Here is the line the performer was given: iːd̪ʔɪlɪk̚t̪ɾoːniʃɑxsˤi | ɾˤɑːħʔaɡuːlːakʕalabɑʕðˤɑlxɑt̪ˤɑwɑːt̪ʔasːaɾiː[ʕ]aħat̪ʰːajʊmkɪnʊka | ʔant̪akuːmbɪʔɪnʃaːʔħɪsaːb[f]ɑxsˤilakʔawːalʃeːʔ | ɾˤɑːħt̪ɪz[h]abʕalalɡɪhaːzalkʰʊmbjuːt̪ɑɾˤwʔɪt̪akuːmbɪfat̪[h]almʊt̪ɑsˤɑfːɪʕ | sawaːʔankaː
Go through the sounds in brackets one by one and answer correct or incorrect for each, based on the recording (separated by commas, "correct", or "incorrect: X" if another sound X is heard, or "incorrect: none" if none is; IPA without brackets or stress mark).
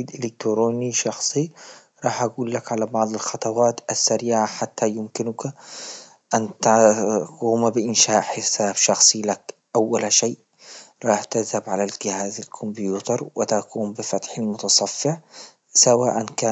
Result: correct, incorrect: ʃ, correct, incorrect: ħ